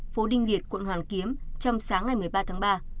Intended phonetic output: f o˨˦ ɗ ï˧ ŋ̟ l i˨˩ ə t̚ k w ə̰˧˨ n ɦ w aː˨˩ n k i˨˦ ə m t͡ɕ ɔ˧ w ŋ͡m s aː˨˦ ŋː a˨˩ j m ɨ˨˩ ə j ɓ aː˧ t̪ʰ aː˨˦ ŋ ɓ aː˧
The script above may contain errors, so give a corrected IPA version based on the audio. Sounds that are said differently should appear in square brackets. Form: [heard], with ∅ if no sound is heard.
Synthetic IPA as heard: f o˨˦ ɗ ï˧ ŋ̟ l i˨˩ ə t̚ k w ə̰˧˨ n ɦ w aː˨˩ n k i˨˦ ə m t͡ɕ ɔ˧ w ŋ͡m s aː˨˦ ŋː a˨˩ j m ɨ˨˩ ə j ɓ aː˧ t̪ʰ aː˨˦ ŋ ɓ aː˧

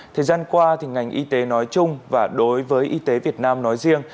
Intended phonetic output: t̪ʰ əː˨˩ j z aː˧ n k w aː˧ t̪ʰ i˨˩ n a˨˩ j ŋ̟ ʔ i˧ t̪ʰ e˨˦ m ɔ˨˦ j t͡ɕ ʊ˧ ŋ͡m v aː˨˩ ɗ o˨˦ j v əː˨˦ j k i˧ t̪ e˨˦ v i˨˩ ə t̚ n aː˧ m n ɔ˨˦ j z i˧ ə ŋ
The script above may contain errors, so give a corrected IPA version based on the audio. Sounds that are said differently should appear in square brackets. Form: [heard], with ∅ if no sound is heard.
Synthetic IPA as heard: t̪ʰ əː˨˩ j z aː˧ n k w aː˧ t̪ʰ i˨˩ [ŋ] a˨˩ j ŋ̟ ʔ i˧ [t̪] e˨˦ [n] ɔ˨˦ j t͡ɕ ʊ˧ ŋ͡m v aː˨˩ ɗ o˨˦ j v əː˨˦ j [ʔ] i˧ t̪ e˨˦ v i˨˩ ə t̚ n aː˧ m n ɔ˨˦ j z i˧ ə ŋ

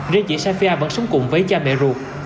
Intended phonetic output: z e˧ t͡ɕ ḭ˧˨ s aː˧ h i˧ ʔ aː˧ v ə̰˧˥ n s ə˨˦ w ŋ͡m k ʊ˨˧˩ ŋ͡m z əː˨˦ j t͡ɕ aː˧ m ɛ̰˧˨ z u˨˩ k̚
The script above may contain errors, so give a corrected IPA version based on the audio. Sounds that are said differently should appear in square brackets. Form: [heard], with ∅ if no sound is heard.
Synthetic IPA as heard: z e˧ t͡ɕ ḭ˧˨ s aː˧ [f] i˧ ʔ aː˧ v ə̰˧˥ n s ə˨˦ w ŋ͡m k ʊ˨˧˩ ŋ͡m [v] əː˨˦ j t͡ɕ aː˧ m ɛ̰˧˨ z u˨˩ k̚

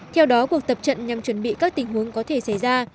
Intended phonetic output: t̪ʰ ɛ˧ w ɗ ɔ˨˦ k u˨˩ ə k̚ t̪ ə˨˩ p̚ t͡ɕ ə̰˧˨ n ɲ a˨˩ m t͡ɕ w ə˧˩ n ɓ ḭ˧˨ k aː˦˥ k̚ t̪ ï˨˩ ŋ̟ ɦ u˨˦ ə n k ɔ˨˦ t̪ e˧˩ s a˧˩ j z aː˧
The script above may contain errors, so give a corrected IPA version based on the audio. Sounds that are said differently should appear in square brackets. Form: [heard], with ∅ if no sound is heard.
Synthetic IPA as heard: t̪ʰ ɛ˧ w ɗ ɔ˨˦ k u˨˩ ə k̚ t̪ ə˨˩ p̚ t͡ɕ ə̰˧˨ n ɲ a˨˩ m t͡ɕ w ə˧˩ n ɓ ḭ˧˨ k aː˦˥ k̚ t̪ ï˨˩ ŋ̟ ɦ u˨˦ ə [ŋ] k ɔ˨˦ [t̪ʰ] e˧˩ s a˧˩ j z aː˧

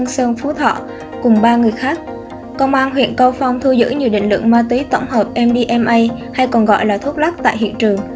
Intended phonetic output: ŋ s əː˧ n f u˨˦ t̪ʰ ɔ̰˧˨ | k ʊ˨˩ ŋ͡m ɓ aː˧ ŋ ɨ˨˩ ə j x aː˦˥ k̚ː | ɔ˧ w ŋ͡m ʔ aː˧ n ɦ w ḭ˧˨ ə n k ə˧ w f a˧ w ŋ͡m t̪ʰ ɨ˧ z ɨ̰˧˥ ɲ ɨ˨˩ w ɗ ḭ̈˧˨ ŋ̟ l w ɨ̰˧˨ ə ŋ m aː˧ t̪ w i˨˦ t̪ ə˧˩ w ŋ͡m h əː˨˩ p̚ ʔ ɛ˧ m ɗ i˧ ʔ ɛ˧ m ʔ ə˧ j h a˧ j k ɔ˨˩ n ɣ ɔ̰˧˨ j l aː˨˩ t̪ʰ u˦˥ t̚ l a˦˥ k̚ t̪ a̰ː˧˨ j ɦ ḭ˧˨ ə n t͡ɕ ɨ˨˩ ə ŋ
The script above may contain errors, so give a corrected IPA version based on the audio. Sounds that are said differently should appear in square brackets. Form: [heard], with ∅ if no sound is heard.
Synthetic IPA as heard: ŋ s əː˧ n f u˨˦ t̪ʰ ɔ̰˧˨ | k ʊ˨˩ ŋ͡m ɓ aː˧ ŋ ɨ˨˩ ə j x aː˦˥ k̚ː | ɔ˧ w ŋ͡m ʔ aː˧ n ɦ w ḭ˧˨ ə n k ə˧ w f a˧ w ŋ͡m t̪ʰ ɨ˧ z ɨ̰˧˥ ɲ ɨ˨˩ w ɗ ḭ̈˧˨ ŋ̟ l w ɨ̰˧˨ ə ŋ m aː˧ t̪ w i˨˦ t̪ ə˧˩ w ŋ͡m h əː˨˩ p̚ ʔ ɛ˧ m ɗ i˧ ʔ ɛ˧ m ʔ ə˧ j h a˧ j k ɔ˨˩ n ɣ ɔ̰˧˨ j l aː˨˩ t̪ʰ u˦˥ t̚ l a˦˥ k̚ t̪ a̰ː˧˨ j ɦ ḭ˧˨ ə n t͡ɕ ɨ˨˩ ə ŋ

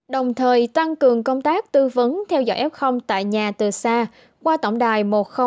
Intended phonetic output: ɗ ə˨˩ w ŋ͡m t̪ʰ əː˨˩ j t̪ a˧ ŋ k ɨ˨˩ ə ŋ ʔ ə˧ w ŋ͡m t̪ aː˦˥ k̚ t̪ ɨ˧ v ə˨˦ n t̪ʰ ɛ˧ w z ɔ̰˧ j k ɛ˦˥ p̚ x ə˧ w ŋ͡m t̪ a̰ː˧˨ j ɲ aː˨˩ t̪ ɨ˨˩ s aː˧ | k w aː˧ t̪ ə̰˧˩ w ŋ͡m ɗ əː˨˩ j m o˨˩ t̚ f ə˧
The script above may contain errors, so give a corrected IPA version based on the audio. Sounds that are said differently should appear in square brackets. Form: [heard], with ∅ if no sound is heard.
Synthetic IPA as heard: ɗ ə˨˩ w ŋ͡m t̪ʰ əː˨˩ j t̪ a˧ ŋ k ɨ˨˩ ə ŋ [k] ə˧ w ŋ͡m t̪ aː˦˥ k̚ t̪ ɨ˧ v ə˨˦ n t̪ʰ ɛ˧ w z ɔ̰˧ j [ʔ] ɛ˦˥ p̚ x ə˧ w ŋ͡m t̪ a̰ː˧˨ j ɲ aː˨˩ t̪ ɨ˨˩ s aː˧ | k w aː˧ t̪ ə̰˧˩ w ŋ͡m ɗ [aː˨˩] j m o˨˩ t̚ [x] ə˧

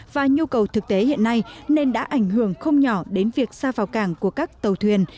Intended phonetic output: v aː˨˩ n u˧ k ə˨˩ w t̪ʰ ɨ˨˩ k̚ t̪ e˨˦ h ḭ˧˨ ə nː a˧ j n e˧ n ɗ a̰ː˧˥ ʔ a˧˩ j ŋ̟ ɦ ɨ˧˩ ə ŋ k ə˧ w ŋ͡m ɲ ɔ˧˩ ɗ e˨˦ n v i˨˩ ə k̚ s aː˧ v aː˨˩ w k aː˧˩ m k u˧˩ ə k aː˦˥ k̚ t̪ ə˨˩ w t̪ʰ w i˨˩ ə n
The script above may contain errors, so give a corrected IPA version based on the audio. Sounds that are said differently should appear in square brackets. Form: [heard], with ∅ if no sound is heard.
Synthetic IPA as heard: v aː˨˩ [ɲ] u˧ k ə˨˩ w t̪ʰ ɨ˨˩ k̚ t̪ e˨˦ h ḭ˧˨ ə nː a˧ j n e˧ n ɗ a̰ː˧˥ ʔ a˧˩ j ŋ̟ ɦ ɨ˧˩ ə ŋ [x] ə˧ w ŋ͡m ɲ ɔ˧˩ ɗ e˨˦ n v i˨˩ ə k̚ s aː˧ v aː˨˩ w k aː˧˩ [ŋ] k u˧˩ ə k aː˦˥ k̚ t̪ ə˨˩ w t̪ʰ w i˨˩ ə n

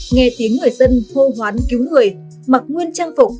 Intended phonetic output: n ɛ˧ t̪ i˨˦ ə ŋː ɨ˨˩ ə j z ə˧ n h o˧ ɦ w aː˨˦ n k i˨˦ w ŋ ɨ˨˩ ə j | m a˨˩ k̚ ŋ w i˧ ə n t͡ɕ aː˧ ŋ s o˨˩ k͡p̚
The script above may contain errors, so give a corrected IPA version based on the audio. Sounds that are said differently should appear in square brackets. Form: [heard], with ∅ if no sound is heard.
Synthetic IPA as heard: [ŋ] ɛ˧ t̪ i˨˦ ə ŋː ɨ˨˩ ə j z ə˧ n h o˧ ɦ w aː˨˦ n k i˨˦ w ŋ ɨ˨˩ ə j | m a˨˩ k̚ ŋ w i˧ ə n t͡ɕ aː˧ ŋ [f] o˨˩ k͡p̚

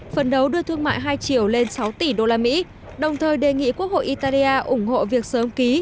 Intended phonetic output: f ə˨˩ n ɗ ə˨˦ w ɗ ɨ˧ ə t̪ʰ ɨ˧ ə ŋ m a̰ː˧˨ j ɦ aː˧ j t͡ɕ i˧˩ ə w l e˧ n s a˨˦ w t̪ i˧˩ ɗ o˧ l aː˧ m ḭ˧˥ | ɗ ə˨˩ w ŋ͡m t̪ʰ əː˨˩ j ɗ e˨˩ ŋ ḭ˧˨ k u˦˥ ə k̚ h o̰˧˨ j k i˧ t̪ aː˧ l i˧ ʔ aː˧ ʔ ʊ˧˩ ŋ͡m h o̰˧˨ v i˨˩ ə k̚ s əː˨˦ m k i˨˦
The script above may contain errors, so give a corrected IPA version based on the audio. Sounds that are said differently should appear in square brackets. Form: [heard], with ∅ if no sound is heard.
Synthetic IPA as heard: f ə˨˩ n ɗ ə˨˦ w ɗ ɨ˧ ə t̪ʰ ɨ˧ ə ŋ m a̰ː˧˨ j ɦ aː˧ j t͡ɕ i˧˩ ə w l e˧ n s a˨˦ w t̪ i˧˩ ɗ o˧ l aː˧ m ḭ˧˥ | ɗ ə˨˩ w ŋ͡m t̪ʰ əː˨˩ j ɗ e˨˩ ŋ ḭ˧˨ k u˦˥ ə k̚ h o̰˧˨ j [ʔ] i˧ t̪ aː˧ l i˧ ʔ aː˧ ʔ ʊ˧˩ ŋ͡m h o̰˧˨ v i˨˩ ə k̚ s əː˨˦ m k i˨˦

